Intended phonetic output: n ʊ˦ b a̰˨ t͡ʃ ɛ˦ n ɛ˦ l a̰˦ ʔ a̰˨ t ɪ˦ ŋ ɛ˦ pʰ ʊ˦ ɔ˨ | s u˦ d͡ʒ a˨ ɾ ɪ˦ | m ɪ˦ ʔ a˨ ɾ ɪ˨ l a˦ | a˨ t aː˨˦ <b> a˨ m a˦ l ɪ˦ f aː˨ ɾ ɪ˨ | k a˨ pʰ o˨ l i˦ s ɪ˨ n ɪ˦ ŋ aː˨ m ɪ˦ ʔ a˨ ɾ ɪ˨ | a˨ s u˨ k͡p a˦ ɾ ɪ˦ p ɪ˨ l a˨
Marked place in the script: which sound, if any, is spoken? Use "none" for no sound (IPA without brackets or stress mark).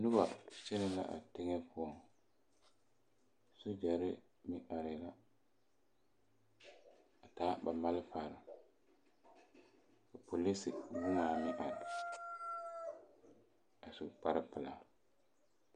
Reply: b